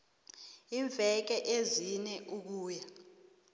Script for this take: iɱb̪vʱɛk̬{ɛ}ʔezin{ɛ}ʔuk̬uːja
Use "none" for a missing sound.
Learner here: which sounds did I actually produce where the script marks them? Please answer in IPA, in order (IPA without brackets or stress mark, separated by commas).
ɛ, ɛ